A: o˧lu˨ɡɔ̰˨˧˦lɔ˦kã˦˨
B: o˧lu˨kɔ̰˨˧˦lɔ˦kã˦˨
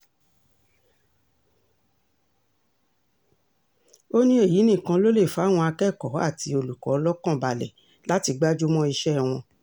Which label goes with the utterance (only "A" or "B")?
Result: B